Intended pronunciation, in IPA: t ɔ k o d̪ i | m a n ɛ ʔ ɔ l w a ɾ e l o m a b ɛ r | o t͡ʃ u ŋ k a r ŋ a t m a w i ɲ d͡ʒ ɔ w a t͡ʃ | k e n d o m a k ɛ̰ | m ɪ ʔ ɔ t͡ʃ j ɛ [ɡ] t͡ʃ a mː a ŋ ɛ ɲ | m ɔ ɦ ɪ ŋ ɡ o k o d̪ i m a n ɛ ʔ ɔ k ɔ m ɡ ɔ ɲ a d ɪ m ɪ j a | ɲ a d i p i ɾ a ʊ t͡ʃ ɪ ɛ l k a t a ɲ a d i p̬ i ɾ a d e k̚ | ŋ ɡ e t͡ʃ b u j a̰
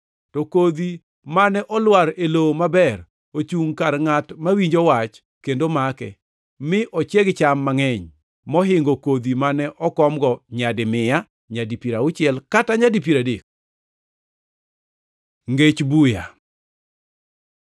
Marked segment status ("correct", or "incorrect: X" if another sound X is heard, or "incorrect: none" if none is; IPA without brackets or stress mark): correct